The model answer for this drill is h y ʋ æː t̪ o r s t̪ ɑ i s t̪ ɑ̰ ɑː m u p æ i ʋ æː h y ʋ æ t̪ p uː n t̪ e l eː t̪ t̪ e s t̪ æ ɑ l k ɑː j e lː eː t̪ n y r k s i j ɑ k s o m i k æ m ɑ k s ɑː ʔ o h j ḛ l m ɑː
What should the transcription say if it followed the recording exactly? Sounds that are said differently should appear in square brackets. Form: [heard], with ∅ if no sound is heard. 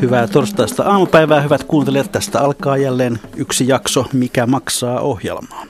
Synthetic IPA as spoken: h y ʋ æː t̪ o r s t̪ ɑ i s t̪ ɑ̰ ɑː m u p æ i ʋ æː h y ʋ æ t̪ [k] uː n t̪ e l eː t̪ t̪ [æ] s t̪ æ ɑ l k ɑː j [æ] lː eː [∅] n y [∅] k s i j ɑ k s o m i k æ m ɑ k s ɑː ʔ o h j ḛ l m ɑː